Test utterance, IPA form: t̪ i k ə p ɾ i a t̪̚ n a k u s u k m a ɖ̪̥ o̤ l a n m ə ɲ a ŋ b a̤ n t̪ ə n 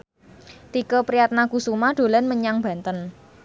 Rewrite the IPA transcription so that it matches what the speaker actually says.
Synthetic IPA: t̪ i k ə p ɾ i a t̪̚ n a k u s u m a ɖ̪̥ o̤ l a n m ə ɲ a ŋ b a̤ n t̪ ə n

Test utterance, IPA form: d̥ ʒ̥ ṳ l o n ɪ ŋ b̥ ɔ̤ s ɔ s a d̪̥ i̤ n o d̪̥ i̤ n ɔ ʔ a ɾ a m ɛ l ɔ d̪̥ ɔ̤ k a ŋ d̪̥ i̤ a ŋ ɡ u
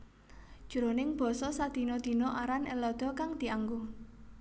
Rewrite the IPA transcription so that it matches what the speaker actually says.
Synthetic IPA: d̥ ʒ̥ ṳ ɾ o n ɪ ŋ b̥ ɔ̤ s ɔ s a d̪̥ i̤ n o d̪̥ i̤ n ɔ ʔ a ɾ a n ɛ l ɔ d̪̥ ɔ̤ k a ŋ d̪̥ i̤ a ŋ ɡ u

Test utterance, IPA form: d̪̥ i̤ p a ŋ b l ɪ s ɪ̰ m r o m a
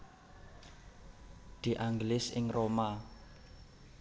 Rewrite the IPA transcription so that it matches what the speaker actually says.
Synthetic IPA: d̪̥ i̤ ʔ a ŋ ɡ l ɪ s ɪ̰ ŋ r o m a

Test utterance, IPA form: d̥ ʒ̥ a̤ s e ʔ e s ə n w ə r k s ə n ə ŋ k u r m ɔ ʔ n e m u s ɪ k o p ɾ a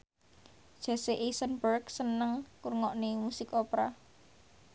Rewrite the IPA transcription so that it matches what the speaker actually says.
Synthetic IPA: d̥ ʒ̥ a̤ s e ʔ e s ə n b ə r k s ə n ə ŋ k u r ŋ ɔ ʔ n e m u s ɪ k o p ɾ a

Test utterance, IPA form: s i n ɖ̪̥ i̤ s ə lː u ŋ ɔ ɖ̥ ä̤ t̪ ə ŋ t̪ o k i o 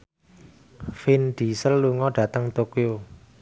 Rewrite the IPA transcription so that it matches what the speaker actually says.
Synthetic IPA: f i n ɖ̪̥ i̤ s ə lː u ŋ ɔ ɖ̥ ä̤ t̪ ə ŋ t̪ o k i o

